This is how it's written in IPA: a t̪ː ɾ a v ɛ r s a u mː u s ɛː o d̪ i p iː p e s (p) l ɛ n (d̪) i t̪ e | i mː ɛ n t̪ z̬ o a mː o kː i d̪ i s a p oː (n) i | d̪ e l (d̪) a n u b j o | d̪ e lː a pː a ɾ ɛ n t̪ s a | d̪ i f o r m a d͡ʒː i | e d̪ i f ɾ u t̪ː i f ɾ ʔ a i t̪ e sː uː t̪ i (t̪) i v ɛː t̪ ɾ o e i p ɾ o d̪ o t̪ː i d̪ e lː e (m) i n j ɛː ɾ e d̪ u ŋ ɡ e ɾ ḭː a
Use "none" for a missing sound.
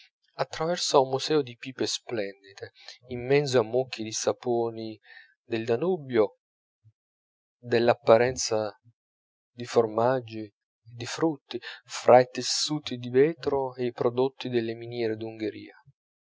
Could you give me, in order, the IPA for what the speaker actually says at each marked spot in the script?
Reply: p, d̪, n, d̪, d̪, m

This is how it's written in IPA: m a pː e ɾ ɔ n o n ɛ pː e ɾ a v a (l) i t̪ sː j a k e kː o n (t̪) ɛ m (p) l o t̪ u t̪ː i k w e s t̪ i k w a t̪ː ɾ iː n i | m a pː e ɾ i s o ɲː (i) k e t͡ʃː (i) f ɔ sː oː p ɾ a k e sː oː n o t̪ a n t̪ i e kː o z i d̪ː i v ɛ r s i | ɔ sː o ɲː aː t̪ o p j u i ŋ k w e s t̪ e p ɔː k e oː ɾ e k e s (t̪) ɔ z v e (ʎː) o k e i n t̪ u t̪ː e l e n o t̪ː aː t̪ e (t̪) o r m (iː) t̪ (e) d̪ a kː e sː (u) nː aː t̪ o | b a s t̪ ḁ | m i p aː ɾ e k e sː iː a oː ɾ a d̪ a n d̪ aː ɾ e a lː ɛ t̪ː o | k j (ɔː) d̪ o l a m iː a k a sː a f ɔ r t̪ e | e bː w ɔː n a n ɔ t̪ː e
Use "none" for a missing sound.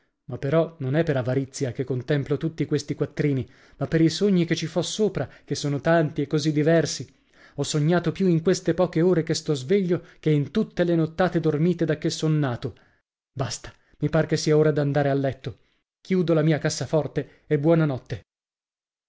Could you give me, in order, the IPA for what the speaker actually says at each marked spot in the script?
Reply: ɾ, t̪, p, i, i, t̪, ʎː, d̪, iː, e, o, uː

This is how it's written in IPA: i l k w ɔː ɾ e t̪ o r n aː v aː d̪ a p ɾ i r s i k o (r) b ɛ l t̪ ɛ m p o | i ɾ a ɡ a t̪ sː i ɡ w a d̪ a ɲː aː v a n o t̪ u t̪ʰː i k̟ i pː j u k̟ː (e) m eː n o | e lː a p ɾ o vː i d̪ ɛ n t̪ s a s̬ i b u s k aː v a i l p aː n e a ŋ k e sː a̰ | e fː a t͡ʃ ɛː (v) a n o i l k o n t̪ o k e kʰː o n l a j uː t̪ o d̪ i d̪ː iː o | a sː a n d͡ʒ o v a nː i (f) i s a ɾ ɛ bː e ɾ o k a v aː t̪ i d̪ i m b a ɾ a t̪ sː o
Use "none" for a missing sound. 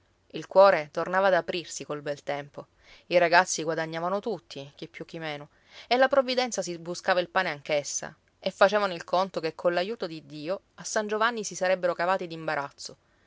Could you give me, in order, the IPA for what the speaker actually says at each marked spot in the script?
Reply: l, i, v, s

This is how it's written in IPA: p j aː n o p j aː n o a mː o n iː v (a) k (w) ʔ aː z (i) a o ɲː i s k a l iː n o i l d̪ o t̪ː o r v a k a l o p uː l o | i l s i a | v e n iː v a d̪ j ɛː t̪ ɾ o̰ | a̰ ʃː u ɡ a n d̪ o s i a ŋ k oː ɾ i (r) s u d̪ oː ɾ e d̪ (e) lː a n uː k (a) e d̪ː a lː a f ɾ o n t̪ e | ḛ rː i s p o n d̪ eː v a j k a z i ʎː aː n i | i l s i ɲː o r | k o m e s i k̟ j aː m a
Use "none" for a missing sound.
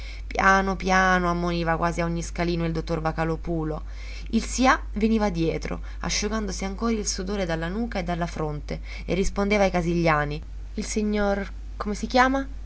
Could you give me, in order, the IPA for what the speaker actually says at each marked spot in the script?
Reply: a, w, i, l, a, a

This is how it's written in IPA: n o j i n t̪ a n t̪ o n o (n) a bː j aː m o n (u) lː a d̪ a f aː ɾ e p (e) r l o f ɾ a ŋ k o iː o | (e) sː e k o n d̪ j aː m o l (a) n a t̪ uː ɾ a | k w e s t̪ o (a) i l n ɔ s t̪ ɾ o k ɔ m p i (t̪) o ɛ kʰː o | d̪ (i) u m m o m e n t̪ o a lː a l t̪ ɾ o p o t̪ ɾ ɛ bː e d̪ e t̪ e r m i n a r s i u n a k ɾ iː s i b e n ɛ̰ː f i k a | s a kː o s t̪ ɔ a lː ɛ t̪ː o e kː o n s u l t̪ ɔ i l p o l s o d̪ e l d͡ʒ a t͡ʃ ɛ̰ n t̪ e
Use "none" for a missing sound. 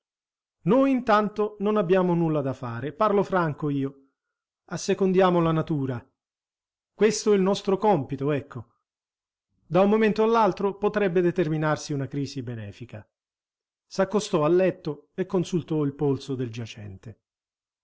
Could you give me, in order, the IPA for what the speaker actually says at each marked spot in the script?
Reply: n, u, a, a, a, ɛ, t̪, a

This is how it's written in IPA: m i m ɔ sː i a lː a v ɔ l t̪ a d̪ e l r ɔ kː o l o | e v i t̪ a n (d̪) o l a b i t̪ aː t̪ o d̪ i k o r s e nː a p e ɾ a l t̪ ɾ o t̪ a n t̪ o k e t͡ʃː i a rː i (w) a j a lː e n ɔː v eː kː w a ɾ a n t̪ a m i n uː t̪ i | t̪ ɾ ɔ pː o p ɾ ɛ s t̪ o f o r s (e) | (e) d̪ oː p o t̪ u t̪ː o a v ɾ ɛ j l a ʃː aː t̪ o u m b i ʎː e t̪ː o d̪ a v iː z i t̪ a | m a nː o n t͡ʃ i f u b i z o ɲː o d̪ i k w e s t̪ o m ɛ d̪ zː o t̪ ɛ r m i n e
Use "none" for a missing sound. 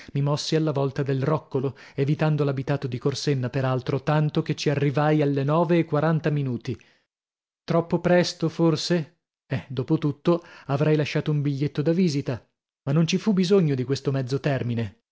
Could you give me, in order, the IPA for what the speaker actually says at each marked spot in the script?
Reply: d̪, v, e, ɛ

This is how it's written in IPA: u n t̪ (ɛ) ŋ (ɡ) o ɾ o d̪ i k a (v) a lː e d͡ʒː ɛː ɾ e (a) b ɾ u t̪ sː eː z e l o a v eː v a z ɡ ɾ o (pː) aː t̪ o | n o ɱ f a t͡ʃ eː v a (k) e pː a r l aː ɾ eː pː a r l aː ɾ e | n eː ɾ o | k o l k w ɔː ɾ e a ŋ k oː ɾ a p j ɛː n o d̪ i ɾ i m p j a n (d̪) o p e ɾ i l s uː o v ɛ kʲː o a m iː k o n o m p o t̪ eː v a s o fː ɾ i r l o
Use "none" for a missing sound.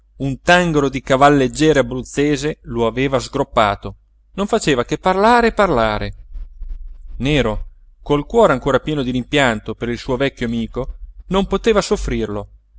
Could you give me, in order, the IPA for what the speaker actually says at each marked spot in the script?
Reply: a, ɡ, v, a, pː, k, t̪

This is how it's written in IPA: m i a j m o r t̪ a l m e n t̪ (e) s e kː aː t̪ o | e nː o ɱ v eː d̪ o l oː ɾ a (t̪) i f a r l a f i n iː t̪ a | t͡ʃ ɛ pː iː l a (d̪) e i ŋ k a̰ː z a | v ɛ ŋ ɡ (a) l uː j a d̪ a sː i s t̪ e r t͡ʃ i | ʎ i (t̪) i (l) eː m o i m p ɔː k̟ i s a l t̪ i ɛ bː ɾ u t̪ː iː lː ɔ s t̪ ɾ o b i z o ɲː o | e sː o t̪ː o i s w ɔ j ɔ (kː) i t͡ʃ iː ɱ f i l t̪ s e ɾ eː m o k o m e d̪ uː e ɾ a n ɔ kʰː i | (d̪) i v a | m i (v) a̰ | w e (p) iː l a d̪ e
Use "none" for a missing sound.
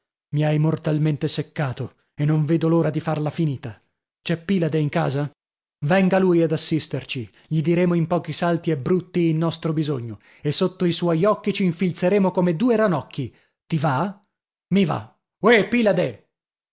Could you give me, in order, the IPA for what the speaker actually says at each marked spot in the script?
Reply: e, d̪, d̪, a, d̪, ɾ, kː, t̪, v, p

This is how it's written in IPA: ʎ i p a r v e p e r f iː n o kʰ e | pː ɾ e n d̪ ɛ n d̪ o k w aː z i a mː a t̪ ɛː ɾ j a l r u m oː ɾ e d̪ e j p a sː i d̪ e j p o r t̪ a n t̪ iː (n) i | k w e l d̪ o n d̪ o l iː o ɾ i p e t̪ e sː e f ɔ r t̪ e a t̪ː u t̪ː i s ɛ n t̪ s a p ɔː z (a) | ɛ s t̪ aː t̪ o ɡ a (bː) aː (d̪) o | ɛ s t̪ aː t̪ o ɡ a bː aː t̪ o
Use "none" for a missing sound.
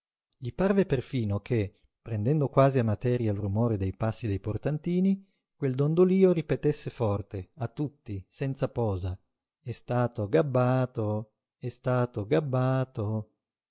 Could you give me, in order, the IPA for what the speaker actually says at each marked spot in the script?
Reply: n, a, bː, t̪

